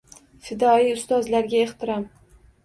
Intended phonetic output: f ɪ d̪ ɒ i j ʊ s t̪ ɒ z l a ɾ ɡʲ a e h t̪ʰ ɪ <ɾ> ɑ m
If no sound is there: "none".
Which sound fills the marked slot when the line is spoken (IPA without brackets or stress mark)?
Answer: ɾ